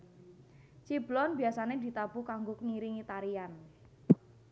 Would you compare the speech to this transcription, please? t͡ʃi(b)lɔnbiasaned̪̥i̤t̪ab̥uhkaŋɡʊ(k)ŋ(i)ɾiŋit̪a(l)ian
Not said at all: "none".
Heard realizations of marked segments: b, k, i, ɾ

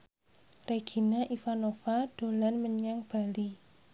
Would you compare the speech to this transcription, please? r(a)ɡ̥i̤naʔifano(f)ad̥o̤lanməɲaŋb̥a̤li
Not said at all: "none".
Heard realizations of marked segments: e, f

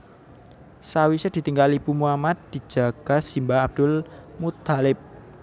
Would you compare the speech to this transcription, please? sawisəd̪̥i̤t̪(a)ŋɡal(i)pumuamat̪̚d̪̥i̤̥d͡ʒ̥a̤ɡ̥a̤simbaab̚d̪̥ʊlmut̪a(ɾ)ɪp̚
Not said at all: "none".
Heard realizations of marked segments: i, i, l

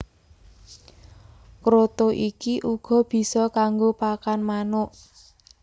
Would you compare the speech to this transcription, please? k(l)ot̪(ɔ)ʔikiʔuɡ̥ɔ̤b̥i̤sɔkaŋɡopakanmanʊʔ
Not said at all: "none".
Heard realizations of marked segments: ɾ, o

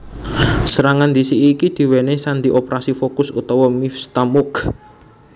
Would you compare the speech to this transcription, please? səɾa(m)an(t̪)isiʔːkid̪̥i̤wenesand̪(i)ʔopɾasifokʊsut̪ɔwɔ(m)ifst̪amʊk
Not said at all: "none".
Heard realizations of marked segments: ŋ, d̪, i, m

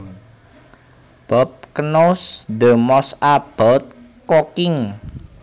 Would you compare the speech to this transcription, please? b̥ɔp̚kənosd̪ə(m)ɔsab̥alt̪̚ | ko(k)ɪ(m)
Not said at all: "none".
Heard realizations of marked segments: m, k, ŋ

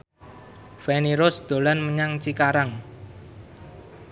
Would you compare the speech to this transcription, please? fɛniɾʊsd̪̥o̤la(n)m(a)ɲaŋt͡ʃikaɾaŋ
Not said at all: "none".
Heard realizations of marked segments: n, ə

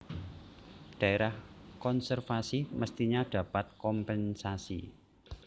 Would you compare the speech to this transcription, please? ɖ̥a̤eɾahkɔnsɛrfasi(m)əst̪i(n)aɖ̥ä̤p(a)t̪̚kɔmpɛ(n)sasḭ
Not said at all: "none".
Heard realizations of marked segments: m, ɲ, a, n

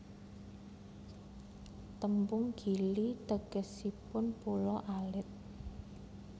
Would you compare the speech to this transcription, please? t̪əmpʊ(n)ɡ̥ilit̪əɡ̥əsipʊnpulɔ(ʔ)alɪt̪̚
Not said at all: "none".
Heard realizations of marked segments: ŋ, ʔ

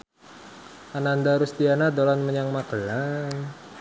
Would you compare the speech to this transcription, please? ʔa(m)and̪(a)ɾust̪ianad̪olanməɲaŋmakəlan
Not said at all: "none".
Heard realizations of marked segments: n, a

